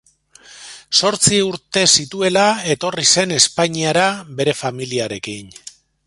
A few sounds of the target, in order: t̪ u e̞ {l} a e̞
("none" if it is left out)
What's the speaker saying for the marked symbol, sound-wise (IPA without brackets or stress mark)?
l